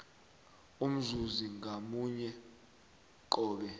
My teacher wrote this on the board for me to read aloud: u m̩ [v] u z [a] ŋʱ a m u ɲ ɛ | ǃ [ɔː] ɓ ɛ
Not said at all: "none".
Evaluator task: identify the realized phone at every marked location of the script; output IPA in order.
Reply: z, i, ɔː

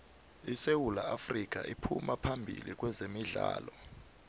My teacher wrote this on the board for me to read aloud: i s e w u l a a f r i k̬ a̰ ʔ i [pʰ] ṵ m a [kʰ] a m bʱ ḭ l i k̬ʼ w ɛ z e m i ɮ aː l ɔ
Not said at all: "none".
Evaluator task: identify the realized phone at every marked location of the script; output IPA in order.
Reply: pʰ, pʰ

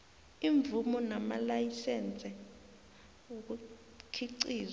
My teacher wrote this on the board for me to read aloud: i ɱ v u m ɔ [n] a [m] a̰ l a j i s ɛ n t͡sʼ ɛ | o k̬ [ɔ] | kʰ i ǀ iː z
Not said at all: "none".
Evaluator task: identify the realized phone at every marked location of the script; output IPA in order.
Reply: n, m, u

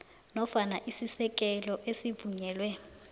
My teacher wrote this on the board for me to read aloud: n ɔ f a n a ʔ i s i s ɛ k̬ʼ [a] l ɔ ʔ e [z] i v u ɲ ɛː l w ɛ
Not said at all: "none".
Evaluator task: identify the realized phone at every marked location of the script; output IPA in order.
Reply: ɛ, s

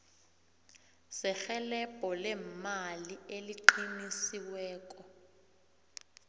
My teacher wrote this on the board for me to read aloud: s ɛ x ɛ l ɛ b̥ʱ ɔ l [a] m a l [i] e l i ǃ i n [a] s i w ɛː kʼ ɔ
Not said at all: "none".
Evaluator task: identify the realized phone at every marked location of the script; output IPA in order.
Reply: ɛ, i, i

